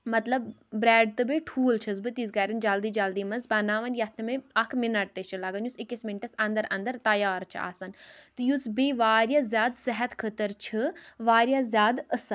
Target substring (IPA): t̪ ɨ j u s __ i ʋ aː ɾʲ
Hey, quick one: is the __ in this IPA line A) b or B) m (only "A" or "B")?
A